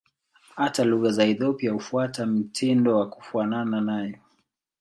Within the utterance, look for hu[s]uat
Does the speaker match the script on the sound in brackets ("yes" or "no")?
no